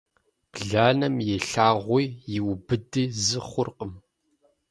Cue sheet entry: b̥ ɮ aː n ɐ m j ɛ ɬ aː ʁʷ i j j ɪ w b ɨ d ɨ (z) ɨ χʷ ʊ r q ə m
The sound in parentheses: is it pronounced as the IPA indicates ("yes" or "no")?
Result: yes